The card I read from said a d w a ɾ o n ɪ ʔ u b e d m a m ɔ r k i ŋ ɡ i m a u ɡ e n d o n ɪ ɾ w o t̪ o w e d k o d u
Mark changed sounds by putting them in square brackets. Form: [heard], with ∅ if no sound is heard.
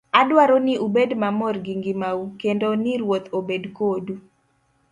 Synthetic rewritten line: a d w a ɾ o n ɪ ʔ u b e d m a m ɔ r [ɡ] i ŋ ɡ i m a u [k] e n d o n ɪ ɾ w o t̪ o [b] e d k o d u